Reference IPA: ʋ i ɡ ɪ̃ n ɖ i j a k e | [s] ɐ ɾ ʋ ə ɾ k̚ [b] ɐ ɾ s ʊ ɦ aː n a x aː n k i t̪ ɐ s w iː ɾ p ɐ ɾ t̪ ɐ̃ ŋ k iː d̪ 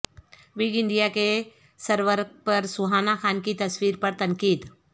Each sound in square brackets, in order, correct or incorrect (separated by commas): correct, incorrect